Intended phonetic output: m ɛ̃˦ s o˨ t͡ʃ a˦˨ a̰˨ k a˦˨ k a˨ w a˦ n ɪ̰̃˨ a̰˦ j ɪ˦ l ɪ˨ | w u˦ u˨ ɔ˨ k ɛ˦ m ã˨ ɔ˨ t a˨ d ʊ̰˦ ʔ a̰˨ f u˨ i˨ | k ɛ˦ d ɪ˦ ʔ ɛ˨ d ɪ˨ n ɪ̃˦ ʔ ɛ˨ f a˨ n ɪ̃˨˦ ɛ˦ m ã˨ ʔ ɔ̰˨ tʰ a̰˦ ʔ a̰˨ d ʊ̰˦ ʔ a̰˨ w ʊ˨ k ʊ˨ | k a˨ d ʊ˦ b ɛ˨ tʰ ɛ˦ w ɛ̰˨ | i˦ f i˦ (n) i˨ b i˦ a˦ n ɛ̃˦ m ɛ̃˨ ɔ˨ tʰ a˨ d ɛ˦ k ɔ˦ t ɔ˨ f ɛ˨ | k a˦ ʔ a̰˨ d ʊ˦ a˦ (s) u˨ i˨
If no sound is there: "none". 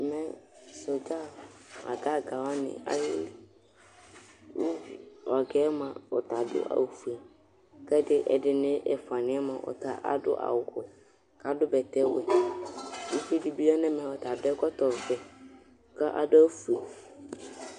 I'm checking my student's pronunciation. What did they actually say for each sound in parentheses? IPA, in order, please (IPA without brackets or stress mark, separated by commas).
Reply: d, f